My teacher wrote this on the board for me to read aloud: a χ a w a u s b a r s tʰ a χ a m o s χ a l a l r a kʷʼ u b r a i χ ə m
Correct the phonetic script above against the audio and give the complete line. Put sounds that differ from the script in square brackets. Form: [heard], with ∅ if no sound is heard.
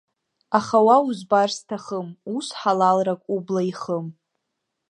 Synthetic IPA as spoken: a χ a w a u [z] b a r s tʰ a χ [ə] m [u] s [ħ] a l a l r a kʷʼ u b [l] a i χ ə m